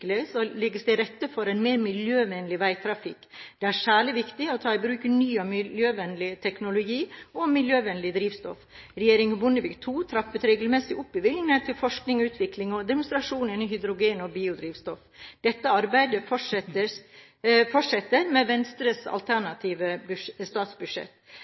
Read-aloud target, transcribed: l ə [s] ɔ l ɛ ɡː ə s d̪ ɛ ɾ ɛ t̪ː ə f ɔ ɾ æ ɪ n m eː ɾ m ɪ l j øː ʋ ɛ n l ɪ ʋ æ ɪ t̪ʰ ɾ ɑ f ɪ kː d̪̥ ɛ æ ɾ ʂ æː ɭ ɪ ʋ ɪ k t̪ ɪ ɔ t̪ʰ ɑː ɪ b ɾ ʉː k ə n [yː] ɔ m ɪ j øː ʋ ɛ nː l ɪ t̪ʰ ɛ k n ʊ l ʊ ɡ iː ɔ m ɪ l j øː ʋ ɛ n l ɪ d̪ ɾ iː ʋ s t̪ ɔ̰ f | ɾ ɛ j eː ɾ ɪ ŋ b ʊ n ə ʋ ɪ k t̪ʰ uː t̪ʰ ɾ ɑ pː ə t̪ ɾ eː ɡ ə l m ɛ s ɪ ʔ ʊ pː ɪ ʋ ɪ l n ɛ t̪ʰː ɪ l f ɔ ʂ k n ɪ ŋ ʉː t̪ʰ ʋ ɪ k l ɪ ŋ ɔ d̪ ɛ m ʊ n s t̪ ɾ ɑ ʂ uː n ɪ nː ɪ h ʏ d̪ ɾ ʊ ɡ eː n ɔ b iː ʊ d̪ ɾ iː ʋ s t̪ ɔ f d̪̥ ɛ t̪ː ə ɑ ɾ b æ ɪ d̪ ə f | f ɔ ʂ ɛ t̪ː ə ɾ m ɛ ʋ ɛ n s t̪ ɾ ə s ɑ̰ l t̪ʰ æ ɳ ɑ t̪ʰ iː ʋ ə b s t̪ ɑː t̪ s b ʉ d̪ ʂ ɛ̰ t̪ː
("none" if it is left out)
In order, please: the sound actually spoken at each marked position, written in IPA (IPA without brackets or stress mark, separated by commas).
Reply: s, yː